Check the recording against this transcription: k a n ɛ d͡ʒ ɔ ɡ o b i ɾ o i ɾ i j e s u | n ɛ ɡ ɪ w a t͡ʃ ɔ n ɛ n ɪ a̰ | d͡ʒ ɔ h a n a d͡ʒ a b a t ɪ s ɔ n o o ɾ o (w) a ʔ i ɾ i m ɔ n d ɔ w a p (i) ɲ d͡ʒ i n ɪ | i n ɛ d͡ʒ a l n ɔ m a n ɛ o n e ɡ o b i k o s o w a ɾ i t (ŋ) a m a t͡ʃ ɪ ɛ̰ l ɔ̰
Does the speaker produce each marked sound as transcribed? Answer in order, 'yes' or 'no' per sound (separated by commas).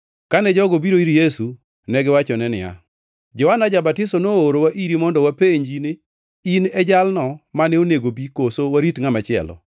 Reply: yes, no, yes